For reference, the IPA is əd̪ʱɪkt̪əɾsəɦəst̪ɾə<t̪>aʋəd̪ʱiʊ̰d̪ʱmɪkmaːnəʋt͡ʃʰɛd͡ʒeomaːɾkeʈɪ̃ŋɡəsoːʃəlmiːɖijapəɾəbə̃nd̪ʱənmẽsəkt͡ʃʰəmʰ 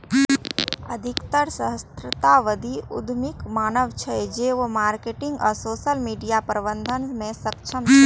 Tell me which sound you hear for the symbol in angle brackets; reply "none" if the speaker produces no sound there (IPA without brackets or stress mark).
t̪